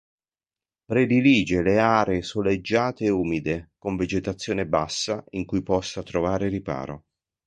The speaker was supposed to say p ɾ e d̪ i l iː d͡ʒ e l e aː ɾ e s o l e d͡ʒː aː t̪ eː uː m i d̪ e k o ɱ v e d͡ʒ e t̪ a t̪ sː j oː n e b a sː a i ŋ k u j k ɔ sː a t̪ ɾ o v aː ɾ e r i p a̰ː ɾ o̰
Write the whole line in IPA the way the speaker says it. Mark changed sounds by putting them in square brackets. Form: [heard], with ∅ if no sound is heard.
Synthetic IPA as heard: p ɾ e d̪ i l iː d͡ʒ e l e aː ɾ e s o l e d͡ʒː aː t̪ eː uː m i d̪ e k o ɱ v e d͡ʒ e t̪ a t̪ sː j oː n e b a sː a i ŋ k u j [p] ɔ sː a t̪ ɾ o v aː ɾ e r i p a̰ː ɾ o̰